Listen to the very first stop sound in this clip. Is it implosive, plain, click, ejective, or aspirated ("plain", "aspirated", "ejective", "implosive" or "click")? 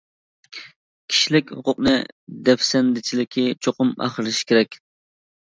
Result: aspirated